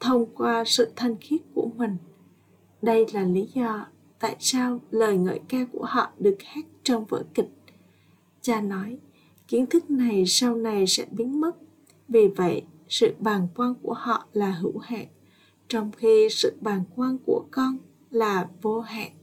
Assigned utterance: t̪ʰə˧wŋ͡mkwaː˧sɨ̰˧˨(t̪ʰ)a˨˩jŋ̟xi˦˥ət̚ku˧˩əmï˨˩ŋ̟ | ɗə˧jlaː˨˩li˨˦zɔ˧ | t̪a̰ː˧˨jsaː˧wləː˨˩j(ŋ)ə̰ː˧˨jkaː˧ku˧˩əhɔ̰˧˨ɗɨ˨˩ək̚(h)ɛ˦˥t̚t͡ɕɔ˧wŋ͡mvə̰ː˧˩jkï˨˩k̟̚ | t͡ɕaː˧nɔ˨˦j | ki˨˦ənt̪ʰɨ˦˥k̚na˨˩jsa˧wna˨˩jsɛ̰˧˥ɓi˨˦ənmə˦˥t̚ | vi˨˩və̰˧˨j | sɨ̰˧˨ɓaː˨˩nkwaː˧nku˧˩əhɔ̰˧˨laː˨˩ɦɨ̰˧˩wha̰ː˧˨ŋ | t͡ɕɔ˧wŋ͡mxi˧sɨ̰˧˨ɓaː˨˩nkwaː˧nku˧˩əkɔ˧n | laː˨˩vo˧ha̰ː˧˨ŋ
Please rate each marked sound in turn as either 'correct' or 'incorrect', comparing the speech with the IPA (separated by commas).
correct, correct, correct